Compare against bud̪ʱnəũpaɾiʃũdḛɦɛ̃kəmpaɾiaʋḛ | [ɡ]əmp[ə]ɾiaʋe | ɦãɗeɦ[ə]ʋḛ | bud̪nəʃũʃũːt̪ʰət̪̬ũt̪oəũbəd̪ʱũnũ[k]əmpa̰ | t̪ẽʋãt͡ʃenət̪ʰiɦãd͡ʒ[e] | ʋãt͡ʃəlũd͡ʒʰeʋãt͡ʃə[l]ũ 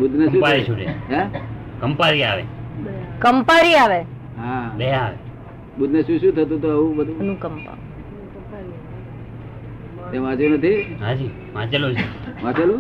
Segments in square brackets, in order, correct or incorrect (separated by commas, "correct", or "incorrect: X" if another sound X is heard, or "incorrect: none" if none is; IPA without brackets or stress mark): incorrect: k, incorrect: a, incorrect: a, correct, incorrect: i, correct